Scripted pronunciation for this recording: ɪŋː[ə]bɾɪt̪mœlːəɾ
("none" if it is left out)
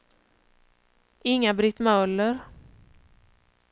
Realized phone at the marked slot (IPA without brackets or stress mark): a